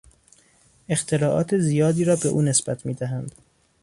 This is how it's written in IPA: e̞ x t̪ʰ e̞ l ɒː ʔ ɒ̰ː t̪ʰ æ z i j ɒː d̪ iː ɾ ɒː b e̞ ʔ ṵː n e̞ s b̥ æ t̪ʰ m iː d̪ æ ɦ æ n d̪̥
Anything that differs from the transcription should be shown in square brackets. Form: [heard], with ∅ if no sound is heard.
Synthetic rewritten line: e̞ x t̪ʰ e̞ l ɒː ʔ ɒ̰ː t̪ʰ [e] z i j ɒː d̪ iː ɾ ɒː b e̞ ʔ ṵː n e̞ s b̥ æ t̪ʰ m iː d̪ æ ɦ æ n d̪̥

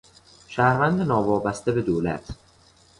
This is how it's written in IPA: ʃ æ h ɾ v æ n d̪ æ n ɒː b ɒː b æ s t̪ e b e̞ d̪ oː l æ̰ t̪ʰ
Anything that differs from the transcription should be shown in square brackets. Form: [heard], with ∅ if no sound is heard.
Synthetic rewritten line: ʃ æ h ɾ v æ n d̪ [e] n ɒː [v] ɒː b æ s t̪ e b e̞ d̪ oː l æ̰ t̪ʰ

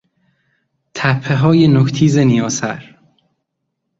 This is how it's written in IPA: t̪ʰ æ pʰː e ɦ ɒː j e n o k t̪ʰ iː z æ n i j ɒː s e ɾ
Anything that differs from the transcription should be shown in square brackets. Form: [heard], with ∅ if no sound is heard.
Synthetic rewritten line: t̪ʰ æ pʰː e ɦ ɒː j e n o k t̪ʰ iː z [e] n i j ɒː s [æ] ɾ

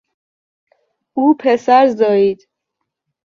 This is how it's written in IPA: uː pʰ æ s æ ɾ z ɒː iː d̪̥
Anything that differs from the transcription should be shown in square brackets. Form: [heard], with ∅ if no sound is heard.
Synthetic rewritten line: uː pʰ [e] s æ ɾ z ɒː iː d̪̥

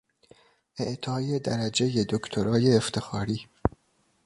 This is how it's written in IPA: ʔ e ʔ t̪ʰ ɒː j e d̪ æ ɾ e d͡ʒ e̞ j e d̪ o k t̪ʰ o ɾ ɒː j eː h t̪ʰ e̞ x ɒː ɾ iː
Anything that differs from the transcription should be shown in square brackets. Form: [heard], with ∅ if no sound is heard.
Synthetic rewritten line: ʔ e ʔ t̪ʰ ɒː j e d̪ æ ɾ [æ] d͡ʒ e̞ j e d̪ o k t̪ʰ o ɾ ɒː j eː [f] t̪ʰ e̞ x ɒː ɾ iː

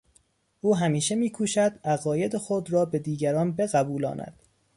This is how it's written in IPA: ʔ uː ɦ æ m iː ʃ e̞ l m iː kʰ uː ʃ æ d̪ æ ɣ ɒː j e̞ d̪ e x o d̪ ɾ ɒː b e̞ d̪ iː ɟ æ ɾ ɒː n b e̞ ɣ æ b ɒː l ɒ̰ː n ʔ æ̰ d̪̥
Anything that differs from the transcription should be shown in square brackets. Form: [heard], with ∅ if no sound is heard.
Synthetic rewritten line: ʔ uː ɦ æ m iː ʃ e̞ [∅] m iː kʰ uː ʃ æ d̪ æ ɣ ɒː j e̞ d̪ e x o d̪ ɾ ɒː b e̞ d̪ iː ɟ æ ɾ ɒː n b e̞ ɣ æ b [uː] l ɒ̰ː n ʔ æ̰ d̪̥

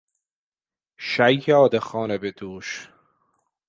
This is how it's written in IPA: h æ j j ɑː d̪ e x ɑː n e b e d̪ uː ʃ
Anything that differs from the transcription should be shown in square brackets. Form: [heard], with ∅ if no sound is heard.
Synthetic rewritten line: [ʃ] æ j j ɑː d̪ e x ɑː n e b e d̪ uː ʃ

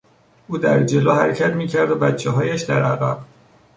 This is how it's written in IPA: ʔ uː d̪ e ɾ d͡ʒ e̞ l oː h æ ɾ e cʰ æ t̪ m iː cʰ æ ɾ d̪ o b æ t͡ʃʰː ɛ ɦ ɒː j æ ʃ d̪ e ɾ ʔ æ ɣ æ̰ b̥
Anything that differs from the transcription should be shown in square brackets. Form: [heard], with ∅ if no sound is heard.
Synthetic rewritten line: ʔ uː d̪ [æ] ɾ d͡ʒ e̞ l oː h æ ɾ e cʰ æ t̪ m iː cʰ æ ɾ d̪ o b æ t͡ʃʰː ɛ ɦ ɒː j æ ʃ d̪ [æ] ɾ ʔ æ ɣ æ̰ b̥

